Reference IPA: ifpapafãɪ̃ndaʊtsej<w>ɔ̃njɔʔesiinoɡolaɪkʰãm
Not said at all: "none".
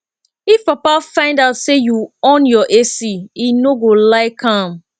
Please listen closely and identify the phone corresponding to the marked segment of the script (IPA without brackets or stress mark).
u